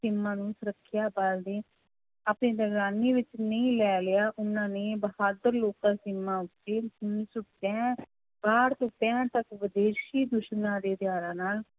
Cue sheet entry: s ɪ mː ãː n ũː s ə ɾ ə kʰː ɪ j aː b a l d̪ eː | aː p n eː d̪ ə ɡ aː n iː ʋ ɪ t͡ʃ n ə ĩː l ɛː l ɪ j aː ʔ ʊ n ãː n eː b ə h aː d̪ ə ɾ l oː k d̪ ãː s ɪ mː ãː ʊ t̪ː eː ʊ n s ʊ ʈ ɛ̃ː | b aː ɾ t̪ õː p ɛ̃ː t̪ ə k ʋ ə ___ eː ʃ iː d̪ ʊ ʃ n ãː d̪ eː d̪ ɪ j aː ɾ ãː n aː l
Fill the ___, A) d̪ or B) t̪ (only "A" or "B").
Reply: A